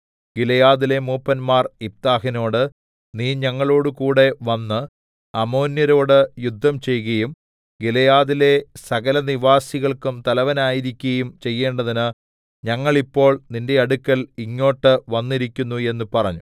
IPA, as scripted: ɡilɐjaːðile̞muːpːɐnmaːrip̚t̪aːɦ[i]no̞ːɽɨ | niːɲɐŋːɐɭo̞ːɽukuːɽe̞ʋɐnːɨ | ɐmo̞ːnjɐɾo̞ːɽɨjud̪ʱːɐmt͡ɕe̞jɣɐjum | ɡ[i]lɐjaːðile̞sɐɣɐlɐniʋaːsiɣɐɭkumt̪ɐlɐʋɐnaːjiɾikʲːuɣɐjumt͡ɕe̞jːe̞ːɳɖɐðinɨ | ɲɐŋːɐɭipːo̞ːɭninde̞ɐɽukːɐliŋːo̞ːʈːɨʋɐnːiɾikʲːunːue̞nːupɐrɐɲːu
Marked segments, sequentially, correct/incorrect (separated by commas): correct, correct